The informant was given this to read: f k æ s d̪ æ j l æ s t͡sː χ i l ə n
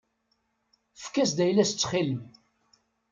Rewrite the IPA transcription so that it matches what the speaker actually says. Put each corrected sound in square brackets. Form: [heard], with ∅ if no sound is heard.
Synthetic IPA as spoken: f k æ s d̪ æ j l æ s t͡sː χ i l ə [m]